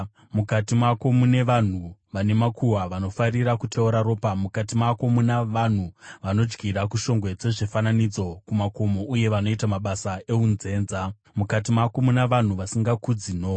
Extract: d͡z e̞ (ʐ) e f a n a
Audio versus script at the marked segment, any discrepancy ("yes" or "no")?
no